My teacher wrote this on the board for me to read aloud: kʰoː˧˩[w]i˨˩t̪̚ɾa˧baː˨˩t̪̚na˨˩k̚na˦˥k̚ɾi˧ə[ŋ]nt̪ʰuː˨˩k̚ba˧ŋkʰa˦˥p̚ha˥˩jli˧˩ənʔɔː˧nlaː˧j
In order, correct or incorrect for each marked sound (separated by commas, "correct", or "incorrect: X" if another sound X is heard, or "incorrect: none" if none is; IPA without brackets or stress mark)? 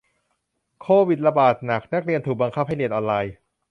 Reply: correct, incorrect: none